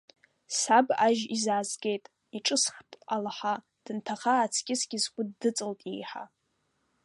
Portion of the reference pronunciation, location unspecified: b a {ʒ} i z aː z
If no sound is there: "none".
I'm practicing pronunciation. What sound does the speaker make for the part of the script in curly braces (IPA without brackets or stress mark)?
ʒ